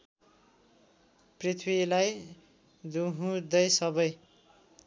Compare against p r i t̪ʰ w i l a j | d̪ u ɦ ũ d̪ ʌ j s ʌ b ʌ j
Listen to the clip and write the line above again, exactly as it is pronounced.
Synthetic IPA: p r i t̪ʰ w i l a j | d̪ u ɦ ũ d̪ ʌ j s ʌ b ʌ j